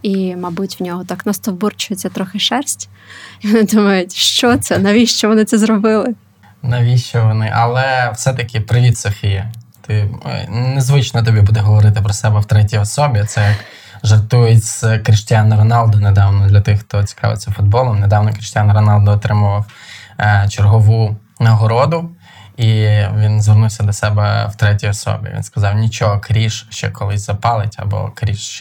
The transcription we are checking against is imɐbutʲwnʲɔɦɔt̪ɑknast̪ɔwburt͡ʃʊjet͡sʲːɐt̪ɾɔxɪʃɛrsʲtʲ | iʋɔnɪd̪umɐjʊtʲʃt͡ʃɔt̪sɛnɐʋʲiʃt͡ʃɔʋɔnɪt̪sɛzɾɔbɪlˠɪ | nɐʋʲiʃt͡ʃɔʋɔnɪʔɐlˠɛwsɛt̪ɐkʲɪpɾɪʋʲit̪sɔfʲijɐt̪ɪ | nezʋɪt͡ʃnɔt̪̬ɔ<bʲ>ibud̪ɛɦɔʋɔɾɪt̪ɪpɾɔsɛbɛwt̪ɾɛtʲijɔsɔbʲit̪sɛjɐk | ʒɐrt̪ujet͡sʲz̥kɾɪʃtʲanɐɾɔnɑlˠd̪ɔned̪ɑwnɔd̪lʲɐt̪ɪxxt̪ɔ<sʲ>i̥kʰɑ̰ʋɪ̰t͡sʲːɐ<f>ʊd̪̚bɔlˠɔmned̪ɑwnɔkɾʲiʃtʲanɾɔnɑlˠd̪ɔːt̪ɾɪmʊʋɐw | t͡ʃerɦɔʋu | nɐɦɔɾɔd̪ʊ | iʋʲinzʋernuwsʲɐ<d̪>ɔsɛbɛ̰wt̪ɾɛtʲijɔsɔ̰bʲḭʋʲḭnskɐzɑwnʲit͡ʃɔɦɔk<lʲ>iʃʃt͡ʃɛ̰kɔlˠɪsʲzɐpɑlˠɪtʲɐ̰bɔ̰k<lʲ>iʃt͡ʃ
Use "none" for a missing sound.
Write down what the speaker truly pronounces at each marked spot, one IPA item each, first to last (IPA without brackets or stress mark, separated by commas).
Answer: bʲ, t͡sʲ, f, d̪, ɾʲ, ɾʲ